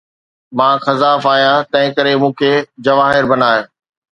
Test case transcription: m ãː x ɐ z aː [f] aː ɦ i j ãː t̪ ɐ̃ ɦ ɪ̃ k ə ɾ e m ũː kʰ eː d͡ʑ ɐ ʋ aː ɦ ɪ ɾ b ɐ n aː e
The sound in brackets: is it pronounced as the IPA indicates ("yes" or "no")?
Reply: yes